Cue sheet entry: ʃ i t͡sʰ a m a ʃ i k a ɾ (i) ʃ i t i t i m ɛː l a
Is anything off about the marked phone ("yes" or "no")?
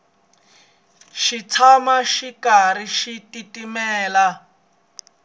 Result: no